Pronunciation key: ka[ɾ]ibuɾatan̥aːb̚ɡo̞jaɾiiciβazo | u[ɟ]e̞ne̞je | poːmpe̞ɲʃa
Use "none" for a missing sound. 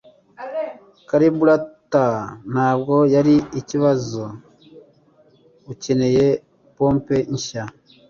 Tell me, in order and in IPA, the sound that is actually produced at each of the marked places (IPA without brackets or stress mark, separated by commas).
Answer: ɾ, c